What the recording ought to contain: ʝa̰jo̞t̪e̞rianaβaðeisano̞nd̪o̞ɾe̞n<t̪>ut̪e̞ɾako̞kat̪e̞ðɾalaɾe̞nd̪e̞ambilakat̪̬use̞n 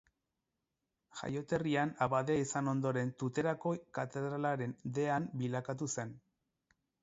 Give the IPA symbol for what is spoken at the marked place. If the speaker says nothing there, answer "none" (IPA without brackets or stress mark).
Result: t̪